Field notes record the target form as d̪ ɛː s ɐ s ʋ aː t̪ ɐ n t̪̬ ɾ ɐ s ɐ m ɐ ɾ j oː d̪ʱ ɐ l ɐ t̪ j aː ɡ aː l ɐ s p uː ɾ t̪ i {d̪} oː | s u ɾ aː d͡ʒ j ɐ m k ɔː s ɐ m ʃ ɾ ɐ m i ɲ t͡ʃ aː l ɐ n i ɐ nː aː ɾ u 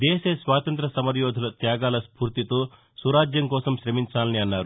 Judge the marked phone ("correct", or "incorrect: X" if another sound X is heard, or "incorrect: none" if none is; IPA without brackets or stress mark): incorrect: t̪